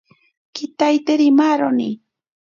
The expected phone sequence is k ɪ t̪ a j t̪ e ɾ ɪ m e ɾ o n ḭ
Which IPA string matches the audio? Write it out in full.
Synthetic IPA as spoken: k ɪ t̪ a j t̪ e ɾ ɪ m a ɾ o n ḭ